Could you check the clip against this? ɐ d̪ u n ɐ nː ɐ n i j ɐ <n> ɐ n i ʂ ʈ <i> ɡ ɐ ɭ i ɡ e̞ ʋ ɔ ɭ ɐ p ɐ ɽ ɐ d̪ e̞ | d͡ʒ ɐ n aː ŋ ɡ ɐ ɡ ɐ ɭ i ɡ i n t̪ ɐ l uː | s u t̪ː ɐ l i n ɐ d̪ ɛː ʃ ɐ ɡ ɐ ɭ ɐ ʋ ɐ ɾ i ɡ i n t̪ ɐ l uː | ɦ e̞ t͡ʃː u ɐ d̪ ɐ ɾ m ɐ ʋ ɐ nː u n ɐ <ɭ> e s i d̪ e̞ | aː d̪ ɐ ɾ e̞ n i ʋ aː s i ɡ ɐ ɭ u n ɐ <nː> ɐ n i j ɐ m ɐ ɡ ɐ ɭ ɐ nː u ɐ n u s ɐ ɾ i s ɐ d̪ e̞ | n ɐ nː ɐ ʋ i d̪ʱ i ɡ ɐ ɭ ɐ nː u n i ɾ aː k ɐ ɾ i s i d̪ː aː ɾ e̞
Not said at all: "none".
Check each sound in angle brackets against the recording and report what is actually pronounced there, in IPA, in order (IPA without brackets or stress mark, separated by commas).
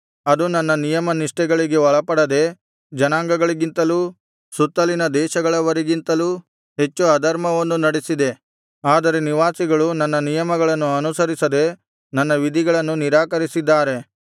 m, ɛ, ɽ, nː